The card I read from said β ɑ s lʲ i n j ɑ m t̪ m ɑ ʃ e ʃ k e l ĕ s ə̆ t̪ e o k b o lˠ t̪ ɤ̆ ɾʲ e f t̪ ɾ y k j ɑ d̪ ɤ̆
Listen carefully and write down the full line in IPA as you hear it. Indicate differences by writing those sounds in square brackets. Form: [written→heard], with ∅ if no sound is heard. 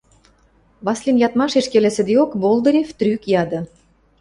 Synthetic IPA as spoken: β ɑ s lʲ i n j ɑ [m→∅] t̪ m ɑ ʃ e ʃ k e l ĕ s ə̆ [t̪→d̪] e o k b o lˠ [t̪→d̪] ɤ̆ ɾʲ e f t̪ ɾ y k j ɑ d̪ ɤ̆